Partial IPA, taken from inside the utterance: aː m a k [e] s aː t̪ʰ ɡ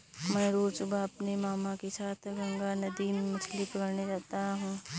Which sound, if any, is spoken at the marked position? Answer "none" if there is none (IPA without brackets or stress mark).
e